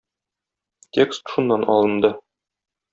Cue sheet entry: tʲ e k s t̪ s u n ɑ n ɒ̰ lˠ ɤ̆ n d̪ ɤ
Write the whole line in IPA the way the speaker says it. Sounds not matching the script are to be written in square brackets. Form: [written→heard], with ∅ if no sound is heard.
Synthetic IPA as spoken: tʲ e k s t̪ [s→ʃ] u [n→nː] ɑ n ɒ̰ lˠ ɤ̆ n d̪ ɤ